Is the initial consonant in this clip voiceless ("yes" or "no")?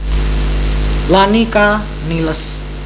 no